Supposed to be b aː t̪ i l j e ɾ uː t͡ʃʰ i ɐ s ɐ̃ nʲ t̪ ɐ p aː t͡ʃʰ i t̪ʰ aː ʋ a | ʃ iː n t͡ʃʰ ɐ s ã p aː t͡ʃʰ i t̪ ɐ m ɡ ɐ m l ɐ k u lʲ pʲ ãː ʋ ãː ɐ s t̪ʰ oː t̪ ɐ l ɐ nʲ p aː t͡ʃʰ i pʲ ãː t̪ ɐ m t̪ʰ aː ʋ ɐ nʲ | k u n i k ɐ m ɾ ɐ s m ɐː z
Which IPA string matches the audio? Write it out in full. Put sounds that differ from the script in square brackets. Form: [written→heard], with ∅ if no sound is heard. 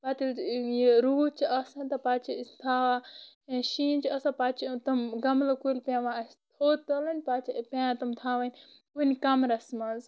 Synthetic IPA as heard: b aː t̪ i l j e ɾ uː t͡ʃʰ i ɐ s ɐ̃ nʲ t̪ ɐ p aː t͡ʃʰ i t̪ʰ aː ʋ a | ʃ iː n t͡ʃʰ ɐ s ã p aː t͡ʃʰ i t̪ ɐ m ɡ ɐ m l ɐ k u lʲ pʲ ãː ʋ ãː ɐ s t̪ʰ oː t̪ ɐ l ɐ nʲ p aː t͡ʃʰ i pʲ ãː t̪ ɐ m t̪ʰ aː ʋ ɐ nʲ | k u n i k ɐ m ɾ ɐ s m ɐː z